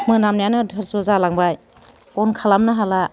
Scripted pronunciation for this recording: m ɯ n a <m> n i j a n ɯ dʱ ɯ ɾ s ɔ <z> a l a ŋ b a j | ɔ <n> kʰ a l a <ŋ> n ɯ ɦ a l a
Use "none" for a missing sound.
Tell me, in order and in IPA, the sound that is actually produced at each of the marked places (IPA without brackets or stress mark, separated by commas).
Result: m, z, n, m